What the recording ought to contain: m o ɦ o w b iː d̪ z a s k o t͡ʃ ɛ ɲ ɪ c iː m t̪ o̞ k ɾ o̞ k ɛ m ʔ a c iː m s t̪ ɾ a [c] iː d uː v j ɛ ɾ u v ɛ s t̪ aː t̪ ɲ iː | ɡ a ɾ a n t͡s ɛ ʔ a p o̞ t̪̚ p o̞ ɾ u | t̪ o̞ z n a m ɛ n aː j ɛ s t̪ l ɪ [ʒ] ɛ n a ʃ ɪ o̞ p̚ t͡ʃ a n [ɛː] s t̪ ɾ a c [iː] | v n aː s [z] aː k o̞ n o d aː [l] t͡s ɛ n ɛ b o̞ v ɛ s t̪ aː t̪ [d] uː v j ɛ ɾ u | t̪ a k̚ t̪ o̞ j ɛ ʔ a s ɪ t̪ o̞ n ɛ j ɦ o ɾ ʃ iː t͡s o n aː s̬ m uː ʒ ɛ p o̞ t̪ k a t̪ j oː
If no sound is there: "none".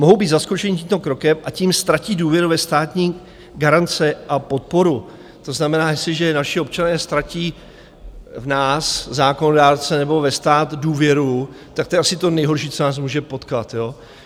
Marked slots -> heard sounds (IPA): c, ʒ, ɛː, iː, z, ɾ, d

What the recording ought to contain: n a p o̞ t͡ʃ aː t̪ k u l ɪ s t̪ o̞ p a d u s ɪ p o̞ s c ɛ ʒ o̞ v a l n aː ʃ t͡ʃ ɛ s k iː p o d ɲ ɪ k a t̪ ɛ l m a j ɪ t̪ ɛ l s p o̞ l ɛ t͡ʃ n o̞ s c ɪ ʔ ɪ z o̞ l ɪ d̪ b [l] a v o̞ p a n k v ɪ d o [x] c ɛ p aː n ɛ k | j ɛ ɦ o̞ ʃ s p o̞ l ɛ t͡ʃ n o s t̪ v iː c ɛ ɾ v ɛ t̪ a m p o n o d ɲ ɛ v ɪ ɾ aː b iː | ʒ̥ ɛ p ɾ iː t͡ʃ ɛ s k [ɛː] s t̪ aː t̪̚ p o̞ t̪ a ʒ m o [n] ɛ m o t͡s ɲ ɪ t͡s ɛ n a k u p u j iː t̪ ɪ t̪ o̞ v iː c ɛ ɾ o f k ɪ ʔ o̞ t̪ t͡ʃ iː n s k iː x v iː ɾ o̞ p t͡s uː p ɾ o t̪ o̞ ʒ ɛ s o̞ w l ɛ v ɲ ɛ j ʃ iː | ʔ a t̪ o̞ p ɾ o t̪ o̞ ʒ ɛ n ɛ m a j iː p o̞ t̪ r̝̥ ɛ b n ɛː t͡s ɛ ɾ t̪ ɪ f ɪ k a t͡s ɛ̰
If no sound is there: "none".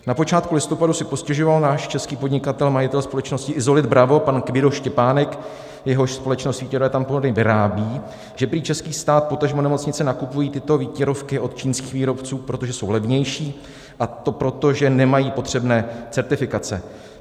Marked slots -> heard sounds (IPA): ɾ, ʃ, iː, n

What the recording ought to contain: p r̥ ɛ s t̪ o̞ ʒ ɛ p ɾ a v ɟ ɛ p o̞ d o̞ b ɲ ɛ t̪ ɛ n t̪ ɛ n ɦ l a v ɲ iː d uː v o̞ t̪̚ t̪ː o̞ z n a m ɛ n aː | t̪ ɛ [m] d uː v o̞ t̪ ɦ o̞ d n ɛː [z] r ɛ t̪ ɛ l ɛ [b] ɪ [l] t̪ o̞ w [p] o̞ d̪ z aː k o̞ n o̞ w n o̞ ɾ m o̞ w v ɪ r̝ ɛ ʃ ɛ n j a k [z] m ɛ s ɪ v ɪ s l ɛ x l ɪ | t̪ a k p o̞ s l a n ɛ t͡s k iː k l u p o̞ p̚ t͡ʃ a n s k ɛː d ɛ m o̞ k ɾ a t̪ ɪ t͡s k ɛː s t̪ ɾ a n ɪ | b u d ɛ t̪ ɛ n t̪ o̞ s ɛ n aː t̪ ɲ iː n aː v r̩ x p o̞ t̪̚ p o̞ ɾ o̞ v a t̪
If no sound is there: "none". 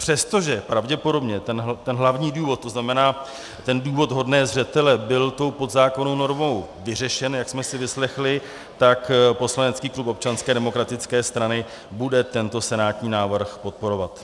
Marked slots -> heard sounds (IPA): n, z, b, l, p, s

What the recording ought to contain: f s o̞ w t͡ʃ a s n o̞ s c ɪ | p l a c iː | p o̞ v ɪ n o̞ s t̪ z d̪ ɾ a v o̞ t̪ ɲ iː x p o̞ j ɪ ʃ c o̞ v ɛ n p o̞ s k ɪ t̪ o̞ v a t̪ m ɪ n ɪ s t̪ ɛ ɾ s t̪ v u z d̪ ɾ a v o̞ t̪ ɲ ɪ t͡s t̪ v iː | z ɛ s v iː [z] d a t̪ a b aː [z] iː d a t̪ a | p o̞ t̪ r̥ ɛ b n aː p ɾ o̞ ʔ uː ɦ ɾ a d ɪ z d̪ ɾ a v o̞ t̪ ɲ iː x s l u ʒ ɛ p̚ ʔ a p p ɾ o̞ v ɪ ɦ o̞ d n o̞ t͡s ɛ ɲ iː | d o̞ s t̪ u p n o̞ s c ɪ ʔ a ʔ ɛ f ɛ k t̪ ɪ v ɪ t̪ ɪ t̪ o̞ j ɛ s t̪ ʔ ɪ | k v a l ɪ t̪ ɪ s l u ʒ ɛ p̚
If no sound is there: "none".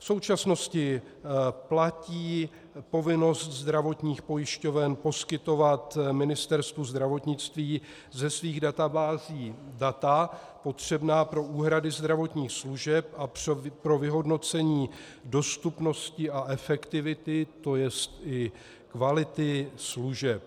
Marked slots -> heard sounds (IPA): ɣ, z

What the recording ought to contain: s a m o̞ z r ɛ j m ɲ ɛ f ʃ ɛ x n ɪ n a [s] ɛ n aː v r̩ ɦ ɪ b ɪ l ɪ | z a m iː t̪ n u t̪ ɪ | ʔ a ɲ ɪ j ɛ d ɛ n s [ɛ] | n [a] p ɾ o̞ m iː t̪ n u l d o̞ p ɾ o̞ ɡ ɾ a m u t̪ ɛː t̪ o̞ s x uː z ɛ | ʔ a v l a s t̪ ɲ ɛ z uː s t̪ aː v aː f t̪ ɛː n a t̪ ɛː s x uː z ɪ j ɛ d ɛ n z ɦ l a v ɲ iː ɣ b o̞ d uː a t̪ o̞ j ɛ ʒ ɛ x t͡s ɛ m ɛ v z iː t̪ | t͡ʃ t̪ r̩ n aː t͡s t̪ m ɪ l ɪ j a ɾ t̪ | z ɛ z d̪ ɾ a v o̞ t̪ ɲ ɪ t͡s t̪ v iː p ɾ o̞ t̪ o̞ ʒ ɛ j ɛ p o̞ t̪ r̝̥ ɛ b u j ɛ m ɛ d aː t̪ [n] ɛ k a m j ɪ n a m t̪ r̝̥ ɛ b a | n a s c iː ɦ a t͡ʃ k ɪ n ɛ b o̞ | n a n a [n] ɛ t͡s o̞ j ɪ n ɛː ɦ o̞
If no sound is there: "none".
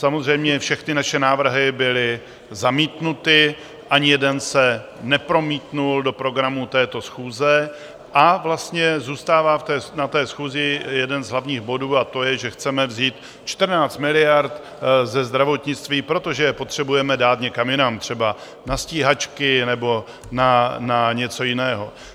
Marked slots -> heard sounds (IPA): ʃ, ɛ, ɛ, ɲ, ɲ

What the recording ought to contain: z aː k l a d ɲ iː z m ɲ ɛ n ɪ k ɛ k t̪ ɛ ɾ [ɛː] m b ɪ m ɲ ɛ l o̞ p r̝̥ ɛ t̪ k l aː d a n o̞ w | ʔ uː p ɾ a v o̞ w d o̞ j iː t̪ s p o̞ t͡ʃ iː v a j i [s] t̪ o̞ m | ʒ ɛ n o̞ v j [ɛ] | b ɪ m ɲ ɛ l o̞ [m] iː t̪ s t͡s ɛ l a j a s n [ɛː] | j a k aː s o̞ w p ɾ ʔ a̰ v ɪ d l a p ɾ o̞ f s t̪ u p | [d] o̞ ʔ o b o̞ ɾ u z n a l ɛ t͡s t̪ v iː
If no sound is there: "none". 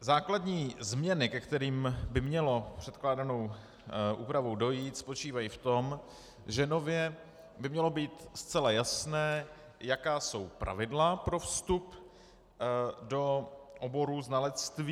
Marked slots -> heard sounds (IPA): iː, f, ɛ, b, ɛː, d

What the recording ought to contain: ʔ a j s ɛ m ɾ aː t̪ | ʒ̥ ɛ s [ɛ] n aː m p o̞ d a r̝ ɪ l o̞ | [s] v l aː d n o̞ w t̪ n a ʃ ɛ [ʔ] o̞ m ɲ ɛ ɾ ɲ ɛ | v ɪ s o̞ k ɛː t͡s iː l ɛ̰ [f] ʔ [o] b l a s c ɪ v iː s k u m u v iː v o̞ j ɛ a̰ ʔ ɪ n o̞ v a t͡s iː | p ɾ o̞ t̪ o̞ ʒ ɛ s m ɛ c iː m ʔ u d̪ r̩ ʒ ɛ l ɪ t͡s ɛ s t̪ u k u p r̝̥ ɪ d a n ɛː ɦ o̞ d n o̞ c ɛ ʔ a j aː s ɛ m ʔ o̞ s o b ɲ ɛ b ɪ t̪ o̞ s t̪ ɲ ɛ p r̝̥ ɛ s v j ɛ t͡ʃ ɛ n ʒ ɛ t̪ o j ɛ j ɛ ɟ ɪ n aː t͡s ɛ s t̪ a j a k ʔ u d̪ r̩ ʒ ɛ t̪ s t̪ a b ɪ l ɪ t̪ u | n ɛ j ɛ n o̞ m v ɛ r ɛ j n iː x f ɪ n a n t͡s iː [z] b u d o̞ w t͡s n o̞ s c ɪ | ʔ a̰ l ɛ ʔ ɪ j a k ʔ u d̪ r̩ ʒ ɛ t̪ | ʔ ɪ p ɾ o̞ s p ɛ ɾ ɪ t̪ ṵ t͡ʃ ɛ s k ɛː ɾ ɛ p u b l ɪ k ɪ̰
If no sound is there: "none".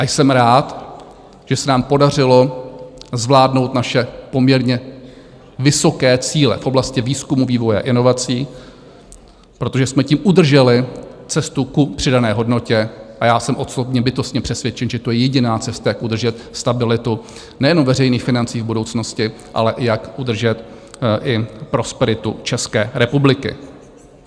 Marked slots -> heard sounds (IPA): ɛ, z, p, f, o, v

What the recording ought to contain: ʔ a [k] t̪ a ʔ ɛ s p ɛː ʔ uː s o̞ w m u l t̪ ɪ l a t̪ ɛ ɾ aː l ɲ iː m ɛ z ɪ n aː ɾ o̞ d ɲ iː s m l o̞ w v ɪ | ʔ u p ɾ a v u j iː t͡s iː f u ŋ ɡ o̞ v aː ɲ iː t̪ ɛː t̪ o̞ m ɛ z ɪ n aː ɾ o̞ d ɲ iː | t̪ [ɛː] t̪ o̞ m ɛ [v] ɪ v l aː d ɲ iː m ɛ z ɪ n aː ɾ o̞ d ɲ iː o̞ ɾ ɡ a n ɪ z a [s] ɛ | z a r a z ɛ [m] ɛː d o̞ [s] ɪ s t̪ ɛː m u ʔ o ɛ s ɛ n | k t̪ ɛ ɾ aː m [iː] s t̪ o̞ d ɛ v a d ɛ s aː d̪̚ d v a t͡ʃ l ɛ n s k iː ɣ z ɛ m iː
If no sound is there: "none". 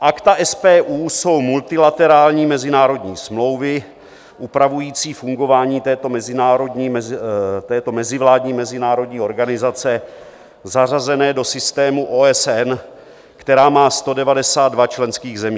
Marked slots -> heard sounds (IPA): k, ɛː, z, t͡s, n, s, aː

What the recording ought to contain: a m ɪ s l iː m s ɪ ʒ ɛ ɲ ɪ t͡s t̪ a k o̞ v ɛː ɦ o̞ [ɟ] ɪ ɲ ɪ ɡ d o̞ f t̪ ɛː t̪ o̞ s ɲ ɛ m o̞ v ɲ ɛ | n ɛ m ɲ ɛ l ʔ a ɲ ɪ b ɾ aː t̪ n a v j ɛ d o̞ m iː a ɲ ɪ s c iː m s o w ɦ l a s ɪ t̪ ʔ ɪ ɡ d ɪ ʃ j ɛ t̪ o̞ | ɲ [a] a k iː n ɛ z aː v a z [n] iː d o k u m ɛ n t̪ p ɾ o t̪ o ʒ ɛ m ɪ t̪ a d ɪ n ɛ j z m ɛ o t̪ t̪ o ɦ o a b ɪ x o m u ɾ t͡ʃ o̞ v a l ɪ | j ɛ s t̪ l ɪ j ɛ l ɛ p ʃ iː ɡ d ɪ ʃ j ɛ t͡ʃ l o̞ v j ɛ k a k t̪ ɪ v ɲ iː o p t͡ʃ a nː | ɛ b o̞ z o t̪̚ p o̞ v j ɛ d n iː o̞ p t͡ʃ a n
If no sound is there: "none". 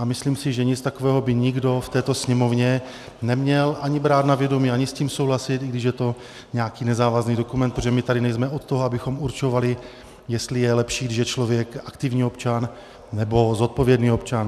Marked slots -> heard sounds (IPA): b, ɛ, n

